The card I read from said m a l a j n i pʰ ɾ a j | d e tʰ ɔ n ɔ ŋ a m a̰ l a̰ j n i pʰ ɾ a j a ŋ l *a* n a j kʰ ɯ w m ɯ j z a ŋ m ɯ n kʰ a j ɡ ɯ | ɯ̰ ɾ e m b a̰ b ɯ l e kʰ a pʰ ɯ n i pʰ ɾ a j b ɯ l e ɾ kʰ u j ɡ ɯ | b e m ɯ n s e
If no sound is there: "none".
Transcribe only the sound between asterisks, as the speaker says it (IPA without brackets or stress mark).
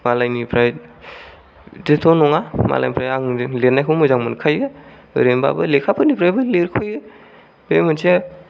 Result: e